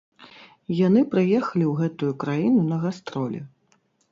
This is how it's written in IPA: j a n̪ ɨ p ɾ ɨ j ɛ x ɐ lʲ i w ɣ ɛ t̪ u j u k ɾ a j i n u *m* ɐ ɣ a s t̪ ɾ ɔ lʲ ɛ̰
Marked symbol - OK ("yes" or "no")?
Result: no